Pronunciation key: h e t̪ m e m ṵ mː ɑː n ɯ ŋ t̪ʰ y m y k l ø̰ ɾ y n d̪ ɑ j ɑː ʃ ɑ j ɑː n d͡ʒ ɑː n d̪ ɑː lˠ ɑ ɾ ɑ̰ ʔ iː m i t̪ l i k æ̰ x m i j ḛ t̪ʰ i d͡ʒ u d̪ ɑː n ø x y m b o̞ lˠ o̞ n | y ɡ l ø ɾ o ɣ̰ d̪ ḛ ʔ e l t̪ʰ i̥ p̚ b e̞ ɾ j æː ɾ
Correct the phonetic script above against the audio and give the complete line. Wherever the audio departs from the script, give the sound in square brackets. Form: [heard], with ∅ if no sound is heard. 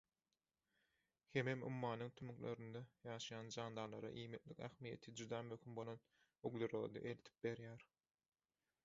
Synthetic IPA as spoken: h e [∅] m e m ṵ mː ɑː n ɯ ŋ t̪ʰ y m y k l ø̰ ɾ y n d̪ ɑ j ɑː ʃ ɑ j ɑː n d͡ʒ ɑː n d̪ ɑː lˠ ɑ ɾ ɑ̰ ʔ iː m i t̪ l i k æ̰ x m i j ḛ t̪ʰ i d͡ʒ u d̪ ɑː [m] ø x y m b o̞ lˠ o̞ n | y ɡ l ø ɾ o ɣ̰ d̪ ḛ ʔ e l t̪ʰ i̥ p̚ b e̞ ɾ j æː ɾ